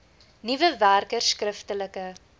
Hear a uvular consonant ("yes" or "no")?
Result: no